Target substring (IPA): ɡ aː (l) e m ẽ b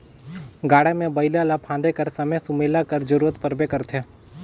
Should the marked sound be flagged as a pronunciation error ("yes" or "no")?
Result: yes